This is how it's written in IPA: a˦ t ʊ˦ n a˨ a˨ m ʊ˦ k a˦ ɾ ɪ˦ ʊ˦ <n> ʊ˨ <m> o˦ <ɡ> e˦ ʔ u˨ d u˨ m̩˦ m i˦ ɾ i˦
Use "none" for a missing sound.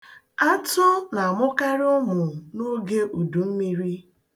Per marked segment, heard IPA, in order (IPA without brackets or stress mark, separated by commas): m, n, ɡ